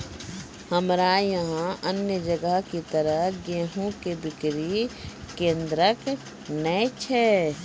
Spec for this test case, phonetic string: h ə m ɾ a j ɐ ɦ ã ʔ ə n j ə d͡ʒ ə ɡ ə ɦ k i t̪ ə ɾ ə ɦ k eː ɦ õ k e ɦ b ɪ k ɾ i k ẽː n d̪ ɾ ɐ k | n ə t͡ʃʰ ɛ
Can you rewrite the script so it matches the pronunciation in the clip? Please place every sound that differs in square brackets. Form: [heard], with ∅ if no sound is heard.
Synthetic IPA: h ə m ɾ a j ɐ ɦ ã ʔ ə n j ə d͡ʒ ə ɡ ə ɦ k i t̪ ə ɾ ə ɦ [ɡ] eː ɦ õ k e [∅] b ɪ k ɾ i k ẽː n d̪ ɾ [ə] k | n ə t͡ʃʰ ɛ